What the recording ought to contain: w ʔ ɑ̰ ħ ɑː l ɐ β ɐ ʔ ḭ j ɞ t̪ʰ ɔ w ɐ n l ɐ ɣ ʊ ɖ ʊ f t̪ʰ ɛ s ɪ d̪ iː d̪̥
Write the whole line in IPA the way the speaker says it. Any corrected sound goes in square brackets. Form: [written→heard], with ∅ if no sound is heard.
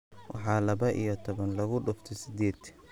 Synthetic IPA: w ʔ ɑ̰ ħ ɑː l ɐ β ɐ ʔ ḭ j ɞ t̪ʰ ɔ [w→β] ɐ n l ɐ ɣ ʊ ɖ ʊ f t̪ʰ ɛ s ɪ d̪ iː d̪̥